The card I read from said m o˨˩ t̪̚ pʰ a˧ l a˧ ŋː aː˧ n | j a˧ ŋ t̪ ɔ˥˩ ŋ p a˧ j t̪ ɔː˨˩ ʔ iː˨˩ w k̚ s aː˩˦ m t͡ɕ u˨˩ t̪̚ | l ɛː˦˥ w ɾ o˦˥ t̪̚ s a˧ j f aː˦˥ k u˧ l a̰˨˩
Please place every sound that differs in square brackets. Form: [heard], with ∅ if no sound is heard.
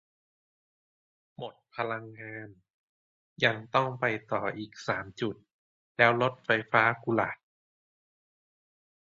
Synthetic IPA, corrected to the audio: m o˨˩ t̪̚ pʰ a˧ l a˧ ŋː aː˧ n | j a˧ ŋ t̪ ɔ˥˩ ŋ p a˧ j t̪ ɔː˨˩ ʔ iː˨˩ [∅] k̚ s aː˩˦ m t͡ɕ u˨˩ t̪̚ | l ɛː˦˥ w [l] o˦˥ t̪̚ [f] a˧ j f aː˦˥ k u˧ l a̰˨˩